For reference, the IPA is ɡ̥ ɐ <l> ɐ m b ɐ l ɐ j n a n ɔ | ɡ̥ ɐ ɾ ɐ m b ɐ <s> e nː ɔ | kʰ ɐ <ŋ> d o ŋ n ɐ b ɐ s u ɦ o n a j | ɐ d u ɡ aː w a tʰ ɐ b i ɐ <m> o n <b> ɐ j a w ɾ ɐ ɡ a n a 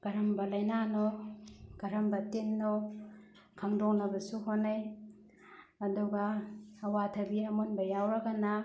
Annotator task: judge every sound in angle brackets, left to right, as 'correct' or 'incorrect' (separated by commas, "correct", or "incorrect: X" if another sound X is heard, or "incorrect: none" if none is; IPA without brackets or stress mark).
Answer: incorrect: ɾ, incorrect: t, correct, correct, correct